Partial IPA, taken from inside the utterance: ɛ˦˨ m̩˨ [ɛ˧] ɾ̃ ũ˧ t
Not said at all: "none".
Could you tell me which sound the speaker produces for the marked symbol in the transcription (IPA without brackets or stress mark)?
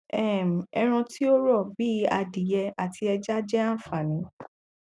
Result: ɛ˧